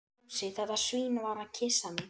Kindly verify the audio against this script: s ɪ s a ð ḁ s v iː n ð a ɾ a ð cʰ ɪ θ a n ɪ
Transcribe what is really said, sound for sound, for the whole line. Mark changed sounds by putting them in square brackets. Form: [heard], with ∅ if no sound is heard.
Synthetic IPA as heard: s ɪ [θ] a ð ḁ s v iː n [v] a ɾ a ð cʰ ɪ [s] a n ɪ